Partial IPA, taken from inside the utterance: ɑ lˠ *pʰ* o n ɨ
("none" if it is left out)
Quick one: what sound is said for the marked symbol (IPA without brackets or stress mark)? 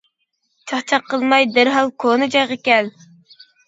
kʰ